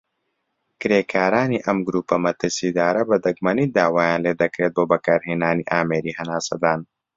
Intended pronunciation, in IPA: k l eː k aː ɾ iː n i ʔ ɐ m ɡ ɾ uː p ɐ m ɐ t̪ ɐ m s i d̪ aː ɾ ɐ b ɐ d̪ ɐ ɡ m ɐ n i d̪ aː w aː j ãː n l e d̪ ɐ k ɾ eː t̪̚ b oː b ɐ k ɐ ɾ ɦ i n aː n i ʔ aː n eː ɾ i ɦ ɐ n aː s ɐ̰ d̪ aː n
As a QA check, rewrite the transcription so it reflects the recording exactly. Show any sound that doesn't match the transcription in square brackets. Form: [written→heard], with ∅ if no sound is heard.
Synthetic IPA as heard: k [l→ɾ] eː k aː ɾ [iː→aː] n i ʔ ɐ m ɡ ɾ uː p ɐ m ɐ t̪ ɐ [m→∅] s i d̪ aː ɾ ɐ b ɐ d̪ ɐ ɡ m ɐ n i d̪ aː w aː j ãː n l e d̪ ɐ k ɾ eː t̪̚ b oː b ɐ k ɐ ɾ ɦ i n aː n i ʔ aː [n→m] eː ɾ i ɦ ɐ n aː s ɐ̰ d̪ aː n